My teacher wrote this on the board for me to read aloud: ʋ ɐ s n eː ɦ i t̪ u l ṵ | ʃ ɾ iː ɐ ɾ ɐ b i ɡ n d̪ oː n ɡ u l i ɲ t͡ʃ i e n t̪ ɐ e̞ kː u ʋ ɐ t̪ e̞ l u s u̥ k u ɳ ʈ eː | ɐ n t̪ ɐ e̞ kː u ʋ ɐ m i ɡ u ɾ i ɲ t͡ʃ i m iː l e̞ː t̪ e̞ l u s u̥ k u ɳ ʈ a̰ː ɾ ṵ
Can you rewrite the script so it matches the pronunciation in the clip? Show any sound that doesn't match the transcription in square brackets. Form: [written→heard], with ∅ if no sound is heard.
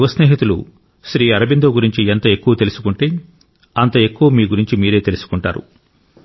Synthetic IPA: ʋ ɐ s n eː ɦ i t̪ u l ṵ | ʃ ɾ iː ɐ ɾ ɐ b i [ɡ→∅] n d̪ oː [n→∅] ɡ u [l→ɾ] i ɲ t͡ʃ i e n t̪ ɐ e̞ kː u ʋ ɐ t̪ e̞ l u s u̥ k u ɳ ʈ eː | ɐ n t̪ ɐ e̞ kː u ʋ ɐ m [i→iː] ɡ u ɾ i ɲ t͡ʃ i m iː [l→ɾ] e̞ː t̪ e̞ l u s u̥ k u ɳ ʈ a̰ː ɾ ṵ